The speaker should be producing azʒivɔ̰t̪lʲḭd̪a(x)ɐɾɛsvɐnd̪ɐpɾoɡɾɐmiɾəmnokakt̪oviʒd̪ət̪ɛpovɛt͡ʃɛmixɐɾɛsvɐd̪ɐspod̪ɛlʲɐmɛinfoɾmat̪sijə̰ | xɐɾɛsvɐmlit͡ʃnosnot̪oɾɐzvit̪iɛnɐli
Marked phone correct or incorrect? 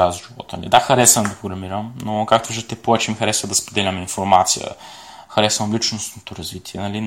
correct